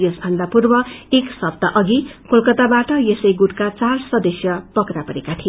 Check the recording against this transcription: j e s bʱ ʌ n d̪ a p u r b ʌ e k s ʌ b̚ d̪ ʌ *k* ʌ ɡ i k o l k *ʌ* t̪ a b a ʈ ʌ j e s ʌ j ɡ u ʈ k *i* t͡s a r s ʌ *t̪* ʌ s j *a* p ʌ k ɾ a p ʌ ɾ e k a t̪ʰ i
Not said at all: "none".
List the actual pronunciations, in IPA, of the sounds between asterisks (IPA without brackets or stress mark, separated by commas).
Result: ʔ, ʌ, a, d̪, ʌ